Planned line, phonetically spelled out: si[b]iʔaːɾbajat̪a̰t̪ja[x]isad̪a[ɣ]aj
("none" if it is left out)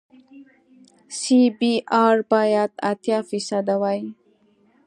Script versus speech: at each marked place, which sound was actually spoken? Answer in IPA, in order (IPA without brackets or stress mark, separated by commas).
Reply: b, f, w